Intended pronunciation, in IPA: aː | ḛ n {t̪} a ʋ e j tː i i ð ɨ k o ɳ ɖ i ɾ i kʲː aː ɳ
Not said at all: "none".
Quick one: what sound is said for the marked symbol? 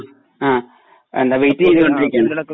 d̪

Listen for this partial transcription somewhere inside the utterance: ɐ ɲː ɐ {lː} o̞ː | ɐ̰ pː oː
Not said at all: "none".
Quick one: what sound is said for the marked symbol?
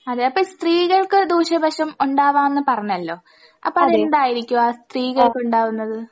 lː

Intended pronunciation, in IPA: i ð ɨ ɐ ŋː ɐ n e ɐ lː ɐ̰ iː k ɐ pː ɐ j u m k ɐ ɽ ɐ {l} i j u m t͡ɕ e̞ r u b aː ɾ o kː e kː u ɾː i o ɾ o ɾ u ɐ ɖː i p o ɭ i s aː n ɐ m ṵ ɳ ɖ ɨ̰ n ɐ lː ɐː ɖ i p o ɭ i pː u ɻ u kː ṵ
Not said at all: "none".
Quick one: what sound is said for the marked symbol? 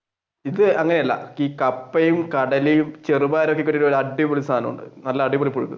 l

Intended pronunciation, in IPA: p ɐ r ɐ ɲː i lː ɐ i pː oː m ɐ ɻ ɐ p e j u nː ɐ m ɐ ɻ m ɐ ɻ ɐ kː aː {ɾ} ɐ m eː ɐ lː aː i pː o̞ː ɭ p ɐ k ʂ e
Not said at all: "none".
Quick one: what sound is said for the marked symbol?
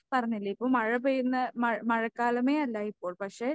l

